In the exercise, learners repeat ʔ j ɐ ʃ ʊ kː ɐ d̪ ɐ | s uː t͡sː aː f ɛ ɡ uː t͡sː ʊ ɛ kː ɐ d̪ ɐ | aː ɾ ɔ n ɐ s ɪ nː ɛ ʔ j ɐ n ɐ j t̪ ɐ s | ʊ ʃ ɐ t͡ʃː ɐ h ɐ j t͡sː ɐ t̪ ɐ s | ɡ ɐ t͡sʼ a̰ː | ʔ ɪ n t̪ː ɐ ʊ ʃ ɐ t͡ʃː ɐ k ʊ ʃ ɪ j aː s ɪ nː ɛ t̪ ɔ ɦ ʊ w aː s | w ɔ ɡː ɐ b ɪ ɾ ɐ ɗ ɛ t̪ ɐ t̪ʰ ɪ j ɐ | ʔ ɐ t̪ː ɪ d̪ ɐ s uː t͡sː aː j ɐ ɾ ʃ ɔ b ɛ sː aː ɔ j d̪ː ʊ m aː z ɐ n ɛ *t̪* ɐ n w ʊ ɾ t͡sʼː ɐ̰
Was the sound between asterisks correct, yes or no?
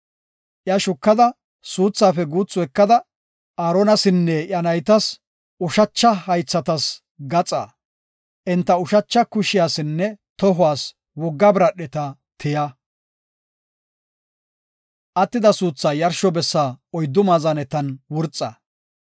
yes